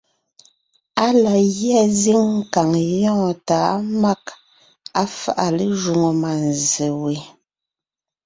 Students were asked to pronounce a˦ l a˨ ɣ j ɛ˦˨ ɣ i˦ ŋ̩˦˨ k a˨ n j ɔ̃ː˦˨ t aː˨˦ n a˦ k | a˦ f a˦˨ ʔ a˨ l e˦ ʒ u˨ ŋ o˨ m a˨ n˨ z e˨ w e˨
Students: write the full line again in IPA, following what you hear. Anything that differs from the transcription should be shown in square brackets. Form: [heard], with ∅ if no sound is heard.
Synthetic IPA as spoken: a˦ l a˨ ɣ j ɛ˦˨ [z] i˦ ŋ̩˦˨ k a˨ [ŋ] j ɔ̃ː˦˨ t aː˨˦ [m] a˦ k | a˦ f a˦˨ ʔ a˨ l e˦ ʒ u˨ ŋ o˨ m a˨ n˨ z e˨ w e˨